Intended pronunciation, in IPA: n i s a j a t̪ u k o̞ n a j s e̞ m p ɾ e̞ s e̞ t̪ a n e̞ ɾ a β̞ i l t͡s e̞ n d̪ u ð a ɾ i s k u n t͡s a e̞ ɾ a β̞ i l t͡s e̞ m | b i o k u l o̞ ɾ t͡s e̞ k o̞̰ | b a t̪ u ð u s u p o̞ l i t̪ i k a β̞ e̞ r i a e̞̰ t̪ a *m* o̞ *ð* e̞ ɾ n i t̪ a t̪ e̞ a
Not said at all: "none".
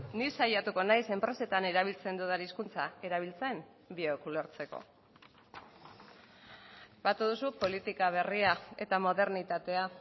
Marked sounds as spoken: m, ð

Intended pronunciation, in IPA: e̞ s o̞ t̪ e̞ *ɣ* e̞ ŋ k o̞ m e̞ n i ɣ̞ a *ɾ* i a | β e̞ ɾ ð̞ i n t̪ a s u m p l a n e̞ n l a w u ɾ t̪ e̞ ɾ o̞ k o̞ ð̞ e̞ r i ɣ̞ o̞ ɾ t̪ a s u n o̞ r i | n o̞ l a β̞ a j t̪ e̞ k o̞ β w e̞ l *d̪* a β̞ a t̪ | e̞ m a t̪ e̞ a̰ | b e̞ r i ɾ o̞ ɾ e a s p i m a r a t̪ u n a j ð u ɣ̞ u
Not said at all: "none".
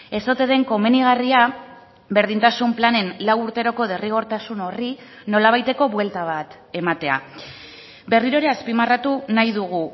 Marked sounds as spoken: ð, r, t̪

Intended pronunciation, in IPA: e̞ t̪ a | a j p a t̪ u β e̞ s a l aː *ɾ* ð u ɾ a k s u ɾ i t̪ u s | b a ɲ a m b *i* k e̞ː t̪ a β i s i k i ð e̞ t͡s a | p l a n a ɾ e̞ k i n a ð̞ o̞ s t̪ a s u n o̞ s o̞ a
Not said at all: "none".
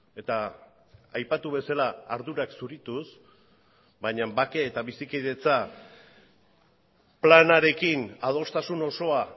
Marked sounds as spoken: ɾ, a

